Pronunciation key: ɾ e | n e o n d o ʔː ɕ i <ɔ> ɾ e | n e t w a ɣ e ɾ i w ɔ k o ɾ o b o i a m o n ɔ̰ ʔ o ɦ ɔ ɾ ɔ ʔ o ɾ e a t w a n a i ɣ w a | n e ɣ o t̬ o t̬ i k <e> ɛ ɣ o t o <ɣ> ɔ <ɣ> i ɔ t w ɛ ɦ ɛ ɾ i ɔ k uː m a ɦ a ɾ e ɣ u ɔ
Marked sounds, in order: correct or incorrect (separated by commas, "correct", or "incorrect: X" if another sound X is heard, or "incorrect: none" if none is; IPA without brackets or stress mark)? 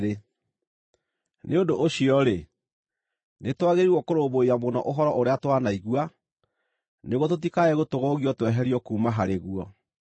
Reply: correct, incorrect: a, correct, correct